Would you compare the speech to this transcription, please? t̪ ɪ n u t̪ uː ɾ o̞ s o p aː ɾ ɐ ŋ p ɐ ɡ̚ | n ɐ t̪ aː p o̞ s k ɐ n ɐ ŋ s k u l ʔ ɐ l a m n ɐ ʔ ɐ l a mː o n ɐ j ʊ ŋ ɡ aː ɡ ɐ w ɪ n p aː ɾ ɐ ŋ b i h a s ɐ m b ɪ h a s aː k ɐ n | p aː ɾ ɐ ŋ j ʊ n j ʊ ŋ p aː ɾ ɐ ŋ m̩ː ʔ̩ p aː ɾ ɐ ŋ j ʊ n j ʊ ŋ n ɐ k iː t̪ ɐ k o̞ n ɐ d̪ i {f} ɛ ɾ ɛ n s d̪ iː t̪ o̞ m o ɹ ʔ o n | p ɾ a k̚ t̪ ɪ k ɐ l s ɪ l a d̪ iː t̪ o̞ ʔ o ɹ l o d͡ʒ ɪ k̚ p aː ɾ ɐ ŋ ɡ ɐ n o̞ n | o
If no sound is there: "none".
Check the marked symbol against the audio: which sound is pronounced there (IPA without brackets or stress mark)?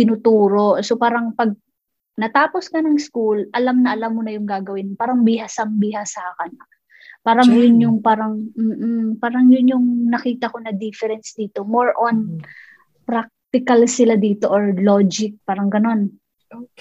f